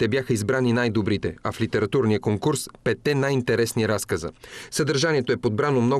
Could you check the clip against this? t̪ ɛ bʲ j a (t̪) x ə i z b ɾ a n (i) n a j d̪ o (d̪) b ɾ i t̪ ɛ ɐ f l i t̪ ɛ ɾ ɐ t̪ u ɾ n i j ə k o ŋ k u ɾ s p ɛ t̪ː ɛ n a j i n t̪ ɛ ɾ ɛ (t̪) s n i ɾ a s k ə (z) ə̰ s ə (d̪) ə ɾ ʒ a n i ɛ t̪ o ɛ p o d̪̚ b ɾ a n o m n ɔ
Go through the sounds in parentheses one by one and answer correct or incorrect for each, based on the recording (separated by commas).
incorrect, correct, incorrect, incorrect, correct, correct